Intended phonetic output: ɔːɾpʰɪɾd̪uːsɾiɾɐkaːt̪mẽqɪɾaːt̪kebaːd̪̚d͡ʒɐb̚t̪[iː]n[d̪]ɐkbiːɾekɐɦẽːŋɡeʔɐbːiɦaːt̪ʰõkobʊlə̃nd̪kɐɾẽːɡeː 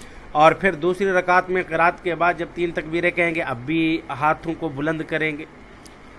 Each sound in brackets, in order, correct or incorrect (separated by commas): correct, incorrect